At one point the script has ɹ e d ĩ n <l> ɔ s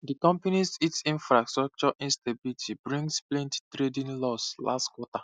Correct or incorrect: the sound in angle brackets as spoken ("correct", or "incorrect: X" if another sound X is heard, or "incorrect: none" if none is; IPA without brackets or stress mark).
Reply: correct